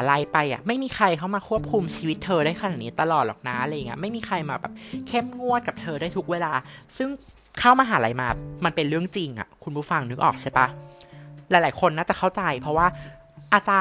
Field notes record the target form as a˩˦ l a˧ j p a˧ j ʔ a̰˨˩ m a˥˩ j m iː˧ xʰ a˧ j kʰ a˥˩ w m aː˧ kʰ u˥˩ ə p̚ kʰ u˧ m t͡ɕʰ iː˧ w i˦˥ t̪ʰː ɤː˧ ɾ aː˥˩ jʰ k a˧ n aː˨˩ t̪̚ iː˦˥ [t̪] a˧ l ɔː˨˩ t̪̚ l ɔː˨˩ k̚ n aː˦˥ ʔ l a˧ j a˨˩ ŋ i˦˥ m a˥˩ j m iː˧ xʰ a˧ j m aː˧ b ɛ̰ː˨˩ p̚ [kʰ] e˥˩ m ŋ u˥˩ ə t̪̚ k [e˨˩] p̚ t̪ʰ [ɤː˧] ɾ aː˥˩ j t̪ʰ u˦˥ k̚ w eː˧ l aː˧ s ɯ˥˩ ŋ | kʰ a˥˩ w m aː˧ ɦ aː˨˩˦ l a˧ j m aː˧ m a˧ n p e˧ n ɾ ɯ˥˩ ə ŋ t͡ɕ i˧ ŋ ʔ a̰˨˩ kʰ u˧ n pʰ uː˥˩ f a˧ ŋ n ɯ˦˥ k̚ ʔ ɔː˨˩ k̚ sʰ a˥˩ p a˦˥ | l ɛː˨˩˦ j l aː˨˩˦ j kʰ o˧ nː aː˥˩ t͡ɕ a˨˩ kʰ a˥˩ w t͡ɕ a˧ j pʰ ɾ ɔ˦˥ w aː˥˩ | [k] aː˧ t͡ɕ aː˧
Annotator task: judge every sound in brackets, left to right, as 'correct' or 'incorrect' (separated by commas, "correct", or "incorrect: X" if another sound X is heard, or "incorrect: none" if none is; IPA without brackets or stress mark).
correct, correct, incorrect: a˨˩, correct, incorrect: ʔ